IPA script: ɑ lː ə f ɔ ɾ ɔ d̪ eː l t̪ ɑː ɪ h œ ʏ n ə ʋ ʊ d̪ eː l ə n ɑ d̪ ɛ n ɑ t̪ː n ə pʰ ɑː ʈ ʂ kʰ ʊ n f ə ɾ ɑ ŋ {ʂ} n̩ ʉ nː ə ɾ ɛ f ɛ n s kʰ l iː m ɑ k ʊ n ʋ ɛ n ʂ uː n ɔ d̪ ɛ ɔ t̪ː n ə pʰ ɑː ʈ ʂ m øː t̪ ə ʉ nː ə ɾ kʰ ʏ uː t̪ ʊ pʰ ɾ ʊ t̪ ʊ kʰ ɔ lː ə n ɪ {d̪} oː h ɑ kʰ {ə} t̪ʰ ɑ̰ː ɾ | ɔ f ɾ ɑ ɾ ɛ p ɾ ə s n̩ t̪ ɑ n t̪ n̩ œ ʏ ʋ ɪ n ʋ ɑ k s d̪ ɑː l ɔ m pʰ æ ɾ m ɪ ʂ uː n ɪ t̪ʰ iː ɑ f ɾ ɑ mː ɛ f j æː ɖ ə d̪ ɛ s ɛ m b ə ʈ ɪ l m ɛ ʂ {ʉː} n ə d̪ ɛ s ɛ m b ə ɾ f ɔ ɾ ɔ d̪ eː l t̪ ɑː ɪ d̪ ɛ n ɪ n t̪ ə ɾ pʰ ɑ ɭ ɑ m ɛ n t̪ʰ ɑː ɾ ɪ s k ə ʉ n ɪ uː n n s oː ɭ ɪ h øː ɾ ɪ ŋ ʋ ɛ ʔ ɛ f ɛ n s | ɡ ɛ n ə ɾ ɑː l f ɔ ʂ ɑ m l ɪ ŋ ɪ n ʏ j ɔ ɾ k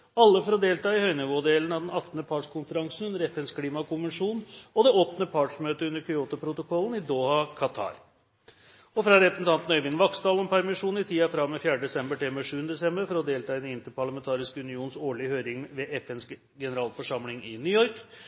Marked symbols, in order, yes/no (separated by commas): no, yes, no, yes